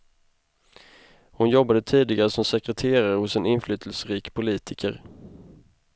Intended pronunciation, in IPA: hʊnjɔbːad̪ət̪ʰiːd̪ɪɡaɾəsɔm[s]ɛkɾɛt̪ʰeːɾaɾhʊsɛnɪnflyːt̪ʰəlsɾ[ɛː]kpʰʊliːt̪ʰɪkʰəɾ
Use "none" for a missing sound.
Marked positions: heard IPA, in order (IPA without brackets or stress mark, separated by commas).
s, iː